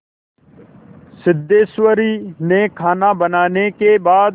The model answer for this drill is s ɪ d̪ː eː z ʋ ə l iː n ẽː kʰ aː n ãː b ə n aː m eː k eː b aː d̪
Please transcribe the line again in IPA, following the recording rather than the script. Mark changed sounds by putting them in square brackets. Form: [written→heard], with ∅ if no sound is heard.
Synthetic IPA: s ɪ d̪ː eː [z→s] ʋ ə [l→ɾ] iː n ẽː kʰ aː n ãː b ə n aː [m→n] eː k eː b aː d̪